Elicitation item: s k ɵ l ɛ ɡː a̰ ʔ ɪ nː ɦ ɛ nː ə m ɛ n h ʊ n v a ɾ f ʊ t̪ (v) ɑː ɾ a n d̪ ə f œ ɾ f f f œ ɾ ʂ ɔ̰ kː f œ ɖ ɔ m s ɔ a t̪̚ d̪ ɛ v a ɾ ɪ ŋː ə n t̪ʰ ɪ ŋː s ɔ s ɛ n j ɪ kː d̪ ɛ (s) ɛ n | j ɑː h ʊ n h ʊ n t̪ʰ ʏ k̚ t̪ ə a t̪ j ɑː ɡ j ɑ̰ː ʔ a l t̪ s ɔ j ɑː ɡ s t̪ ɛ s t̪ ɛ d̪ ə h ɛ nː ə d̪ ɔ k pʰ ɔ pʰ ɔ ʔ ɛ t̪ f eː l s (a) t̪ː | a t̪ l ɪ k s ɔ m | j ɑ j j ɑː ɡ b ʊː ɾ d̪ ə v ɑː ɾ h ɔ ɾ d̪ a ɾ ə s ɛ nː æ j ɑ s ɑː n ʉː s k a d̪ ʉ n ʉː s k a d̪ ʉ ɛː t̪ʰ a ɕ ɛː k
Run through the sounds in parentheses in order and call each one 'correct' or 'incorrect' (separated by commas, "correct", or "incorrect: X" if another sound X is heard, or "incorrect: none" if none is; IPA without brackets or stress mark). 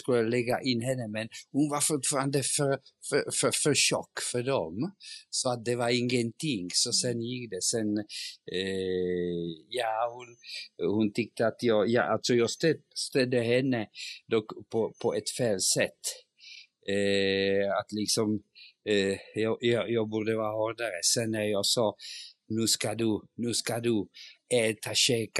incorrect: f, correct, incorrect: ɛ